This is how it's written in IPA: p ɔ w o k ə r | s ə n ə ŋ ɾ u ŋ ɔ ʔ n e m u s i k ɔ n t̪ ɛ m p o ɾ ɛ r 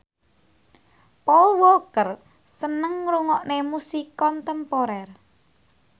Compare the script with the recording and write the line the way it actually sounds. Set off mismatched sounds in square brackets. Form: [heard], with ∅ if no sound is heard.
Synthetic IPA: p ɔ w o k ə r | s ə n ə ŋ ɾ u ŋ ɔ ʔ n e m u s i k ɔ n t̪ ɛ m p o ɾ ɛ r